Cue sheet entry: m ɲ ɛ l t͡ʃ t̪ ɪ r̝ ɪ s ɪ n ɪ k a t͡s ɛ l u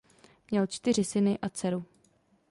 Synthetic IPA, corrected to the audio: m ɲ ɛ l t͡ʃ t̪ ɪ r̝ ɪ s ɪ n ɪ ʔ a t͡s ɛ ɾ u